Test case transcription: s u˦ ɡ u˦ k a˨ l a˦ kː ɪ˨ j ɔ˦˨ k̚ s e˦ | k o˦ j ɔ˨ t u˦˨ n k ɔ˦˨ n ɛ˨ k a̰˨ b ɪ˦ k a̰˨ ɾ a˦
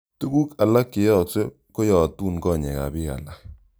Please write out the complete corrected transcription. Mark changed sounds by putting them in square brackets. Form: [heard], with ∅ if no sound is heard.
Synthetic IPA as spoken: [t] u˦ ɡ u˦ k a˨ l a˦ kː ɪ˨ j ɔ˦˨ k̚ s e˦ | k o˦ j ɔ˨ t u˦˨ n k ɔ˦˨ [ɲ] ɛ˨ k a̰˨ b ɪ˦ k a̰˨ [l] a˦